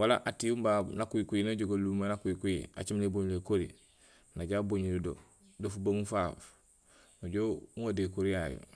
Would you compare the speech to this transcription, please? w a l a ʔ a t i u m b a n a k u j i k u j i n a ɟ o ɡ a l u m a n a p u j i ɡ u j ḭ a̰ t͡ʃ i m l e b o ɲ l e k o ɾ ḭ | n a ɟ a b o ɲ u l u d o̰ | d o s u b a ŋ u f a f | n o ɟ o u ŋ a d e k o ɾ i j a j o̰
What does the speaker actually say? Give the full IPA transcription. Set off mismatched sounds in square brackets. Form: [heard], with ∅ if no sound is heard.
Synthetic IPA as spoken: w a l a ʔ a t i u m b a n a k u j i k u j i n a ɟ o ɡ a l u m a n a [k] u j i [k] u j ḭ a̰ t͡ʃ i m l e b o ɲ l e k o ɾ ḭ | n a ɟ a b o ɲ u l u d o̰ | d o [f] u b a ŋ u f a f | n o ɟ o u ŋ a d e k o ɾ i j a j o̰